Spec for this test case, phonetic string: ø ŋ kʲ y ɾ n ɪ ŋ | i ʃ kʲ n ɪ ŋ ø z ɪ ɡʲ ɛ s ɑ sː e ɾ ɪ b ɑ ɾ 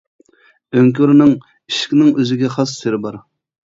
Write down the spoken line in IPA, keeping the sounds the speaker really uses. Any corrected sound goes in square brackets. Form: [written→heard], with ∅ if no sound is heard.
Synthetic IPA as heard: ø ŋ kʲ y ɾ n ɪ ŋ | i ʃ kʲ n ɪ ŋ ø z ɪ ɡʲ ɛ [s→χ] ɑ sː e ɾ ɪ b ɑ ɾ